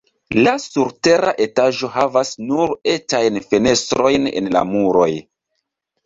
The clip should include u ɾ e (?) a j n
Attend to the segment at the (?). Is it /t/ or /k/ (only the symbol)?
t